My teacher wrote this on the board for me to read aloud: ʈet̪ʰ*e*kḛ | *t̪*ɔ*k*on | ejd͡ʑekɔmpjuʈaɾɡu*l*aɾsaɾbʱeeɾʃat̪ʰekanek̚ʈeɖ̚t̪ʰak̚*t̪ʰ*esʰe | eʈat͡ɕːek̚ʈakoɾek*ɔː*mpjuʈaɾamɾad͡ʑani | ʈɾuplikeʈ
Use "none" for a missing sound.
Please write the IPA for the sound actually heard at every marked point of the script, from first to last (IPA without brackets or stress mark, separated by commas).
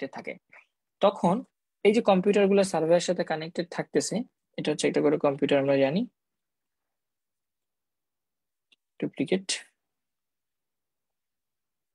a, t̪, kʰ, l, t̪, ɔ